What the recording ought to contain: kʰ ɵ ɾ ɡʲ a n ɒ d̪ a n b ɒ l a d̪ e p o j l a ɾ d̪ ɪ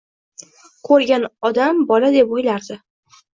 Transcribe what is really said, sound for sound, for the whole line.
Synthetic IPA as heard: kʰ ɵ ɾ ɡʲ a n ɒ d̪ a m b ɒ l a d̪ e p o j l a ɾ d̪ ɪ